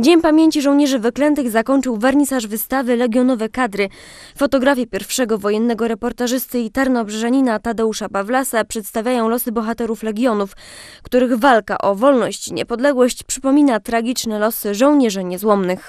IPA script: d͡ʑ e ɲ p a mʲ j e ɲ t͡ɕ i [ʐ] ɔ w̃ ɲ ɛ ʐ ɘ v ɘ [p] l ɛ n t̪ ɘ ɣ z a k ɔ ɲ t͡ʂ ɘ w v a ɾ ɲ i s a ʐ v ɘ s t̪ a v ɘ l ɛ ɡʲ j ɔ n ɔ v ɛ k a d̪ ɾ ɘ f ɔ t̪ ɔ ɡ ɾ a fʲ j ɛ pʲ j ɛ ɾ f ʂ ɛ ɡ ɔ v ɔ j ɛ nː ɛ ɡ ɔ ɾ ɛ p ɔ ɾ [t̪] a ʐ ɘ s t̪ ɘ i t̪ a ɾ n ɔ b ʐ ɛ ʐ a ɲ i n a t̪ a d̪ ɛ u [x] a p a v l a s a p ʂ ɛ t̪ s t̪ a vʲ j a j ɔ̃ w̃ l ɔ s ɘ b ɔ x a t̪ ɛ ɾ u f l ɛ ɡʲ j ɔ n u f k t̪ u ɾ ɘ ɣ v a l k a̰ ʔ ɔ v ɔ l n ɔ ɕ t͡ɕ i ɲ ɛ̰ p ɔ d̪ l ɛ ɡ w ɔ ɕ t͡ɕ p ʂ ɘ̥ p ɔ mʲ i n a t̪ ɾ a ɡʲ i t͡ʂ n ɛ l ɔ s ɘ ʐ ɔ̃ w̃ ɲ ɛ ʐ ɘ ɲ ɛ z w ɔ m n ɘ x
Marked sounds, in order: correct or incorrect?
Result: correct, incorrect, correct, incorrect

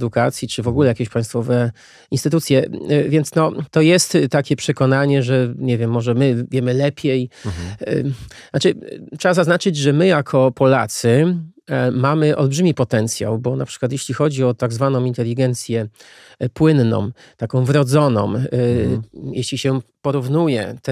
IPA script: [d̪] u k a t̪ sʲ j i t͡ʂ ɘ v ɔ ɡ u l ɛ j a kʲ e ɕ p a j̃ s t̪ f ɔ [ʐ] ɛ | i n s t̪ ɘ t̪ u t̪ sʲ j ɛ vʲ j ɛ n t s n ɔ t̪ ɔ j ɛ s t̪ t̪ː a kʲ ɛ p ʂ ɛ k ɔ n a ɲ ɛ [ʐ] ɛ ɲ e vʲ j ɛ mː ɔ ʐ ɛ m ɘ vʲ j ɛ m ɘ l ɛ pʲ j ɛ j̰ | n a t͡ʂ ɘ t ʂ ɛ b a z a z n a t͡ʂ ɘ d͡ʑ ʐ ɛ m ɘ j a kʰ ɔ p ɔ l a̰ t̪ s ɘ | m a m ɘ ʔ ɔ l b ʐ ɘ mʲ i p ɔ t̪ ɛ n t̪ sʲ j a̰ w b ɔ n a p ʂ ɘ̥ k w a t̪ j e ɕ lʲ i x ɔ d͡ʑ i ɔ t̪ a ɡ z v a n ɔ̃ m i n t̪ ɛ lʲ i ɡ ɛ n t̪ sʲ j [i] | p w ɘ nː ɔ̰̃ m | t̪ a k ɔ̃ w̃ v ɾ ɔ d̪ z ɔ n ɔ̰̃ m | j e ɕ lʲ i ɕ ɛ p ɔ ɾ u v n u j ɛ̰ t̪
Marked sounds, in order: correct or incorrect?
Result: correct, incorrect, correct, incorrect

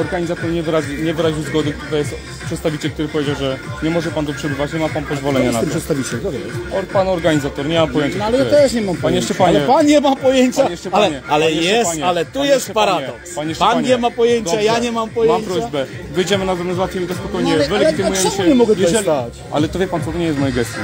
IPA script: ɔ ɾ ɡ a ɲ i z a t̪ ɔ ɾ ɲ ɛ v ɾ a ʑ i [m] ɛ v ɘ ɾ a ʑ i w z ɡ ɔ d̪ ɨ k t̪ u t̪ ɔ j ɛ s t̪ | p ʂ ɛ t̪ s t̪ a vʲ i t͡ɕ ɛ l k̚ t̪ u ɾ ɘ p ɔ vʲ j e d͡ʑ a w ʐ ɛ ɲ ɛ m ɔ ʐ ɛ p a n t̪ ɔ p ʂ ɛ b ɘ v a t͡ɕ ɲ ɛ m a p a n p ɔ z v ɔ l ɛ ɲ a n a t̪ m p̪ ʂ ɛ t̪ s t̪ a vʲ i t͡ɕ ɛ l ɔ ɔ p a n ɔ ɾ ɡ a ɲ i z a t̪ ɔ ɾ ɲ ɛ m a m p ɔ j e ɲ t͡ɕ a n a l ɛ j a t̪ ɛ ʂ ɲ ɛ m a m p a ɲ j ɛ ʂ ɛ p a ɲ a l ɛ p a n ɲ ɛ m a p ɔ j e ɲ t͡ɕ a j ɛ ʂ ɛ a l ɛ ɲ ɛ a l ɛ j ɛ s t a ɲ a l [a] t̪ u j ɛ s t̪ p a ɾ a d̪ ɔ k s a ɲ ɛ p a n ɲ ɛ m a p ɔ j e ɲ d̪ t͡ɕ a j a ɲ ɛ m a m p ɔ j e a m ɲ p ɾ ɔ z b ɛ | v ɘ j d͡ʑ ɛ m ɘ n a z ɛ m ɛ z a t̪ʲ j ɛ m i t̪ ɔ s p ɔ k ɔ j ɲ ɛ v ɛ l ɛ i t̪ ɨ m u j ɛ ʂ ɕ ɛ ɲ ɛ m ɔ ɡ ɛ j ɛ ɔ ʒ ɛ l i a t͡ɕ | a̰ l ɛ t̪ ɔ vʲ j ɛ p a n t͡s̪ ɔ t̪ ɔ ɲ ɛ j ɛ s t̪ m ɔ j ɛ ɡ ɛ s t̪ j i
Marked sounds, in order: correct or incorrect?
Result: incorrect, incorrect

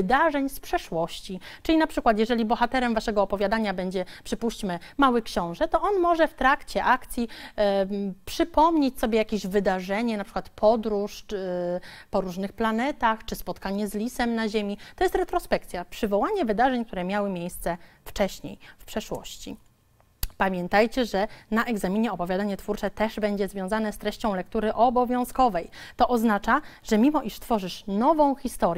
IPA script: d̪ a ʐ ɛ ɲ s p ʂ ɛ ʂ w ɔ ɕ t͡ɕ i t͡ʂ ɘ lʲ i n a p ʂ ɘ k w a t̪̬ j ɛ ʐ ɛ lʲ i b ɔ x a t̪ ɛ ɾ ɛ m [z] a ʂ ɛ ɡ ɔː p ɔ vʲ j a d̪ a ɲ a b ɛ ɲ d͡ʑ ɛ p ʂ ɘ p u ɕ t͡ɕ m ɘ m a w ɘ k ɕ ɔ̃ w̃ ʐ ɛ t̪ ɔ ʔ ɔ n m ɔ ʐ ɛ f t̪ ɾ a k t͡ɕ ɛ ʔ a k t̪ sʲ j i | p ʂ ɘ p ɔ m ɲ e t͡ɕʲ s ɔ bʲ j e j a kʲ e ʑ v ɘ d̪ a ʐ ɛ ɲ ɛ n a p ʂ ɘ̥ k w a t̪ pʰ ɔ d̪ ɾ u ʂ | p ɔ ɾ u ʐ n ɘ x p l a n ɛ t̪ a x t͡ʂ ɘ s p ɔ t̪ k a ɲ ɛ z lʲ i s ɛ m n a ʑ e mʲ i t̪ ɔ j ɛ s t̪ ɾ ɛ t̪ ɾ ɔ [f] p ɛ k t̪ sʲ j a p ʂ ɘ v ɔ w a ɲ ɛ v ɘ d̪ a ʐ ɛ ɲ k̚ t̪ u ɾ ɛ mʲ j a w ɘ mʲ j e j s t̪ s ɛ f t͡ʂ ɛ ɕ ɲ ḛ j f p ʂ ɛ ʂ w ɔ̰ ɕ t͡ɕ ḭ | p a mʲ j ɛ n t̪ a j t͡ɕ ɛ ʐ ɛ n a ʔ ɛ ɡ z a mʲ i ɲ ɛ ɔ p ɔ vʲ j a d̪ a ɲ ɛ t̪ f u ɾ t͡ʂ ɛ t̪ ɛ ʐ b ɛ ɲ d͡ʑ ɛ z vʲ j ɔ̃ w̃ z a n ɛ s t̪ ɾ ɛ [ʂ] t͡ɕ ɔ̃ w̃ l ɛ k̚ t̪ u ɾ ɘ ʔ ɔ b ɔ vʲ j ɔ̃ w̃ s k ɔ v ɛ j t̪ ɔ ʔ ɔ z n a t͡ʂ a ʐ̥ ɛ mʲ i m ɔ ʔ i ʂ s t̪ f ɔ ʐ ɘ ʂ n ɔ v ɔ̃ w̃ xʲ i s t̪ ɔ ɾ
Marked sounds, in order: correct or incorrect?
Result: incorrect, incorrect, incorrect

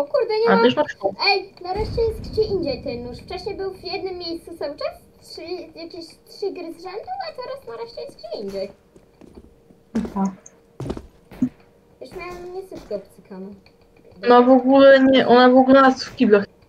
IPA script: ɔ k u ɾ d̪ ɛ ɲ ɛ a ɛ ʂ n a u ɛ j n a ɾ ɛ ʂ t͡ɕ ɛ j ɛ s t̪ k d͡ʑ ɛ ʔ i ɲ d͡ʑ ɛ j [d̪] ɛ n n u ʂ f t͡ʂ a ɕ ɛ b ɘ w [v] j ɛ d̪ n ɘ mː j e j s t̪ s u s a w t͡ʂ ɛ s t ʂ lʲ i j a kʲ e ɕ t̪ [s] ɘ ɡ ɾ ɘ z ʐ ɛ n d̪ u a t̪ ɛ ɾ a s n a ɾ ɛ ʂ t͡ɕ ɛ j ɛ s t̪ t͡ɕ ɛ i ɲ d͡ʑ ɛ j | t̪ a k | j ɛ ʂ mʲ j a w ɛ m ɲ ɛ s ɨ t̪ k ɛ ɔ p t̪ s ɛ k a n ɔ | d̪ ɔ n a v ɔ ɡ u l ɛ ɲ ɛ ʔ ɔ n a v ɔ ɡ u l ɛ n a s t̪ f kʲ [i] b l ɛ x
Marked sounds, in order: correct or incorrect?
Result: incorrect, correct, incorrect, correct

